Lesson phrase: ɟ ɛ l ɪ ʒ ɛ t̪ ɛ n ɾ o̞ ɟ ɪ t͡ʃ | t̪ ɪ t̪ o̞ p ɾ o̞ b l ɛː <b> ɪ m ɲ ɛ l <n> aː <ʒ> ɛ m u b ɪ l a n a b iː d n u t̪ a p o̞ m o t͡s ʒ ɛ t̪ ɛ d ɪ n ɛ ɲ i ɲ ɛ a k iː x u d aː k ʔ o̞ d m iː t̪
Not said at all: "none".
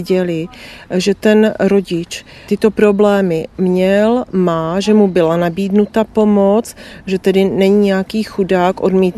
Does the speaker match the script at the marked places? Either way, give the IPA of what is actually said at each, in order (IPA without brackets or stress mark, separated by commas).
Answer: m, m, ʒ